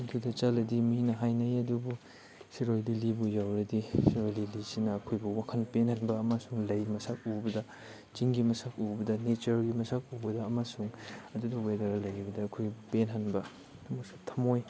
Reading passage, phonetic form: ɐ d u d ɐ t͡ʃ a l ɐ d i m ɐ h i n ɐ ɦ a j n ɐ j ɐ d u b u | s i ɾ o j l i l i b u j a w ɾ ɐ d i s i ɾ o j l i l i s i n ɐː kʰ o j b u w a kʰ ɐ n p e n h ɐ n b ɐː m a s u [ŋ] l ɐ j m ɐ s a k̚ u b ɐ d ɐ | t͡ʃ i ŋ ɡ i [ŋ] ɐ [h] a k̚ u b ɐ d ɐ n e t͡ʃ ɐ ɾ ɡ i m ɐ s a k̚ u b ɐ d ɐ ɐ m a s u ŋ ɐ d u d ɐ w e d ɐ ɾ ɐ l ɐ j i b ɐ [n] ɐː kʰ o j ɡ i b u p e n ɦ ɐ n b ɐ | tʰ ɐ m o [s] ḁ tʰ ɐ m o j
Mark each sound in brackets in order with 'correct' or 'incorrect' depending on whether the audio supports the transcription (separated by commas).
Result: correct, incorrect, incorrect, incorrect, correct